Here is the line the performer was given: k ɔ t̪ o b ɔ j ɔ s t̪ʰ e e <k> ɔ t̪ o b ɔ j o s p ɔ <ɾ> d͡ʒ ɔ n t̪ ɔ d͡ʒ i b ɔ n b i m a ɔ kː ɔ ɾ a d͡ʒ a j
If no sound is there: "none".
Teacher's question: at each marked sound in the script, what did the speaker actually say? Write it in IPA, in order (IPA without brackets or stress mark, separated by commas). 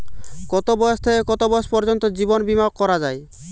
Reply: k, ɾ